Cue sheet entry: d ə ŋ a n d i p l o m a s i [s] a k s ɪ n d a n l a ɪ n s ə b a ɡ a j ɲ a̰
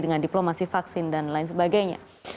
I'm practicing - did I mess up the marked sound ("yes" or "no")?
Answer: yes